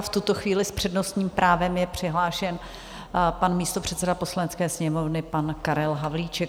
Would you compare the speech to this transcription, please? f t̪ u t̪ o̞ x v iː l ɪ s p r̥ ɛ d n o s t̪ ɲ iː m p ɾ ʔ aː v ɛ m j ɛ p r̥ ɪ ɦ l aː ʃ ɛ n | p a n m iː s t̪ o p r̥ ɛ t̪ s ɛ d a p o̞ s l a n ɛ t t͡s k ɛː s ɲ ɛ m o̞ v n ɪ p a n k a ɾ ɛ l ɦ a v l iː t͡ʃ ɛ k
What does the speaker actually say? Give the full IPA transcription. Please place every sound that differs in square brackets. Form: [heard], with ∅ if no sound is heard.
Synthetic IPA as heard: f t̪ u t̪ o̞ x v iː l ɪ s p r̥ ɛ d n o s t̪ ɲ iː m p ɾ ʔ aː v ɛ m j ɛ p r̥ ɪ ɦ l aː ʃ ɛ n | p a n m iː s t̪ o p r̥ ɛ t̪ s ɛ d a p o̞ s l a n ɛ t t͡s k ɛː s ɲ ɛ m o̞ v n ɪ p a n k a ɾ ɛ l ɦ a v l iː t͡ʃ ɛ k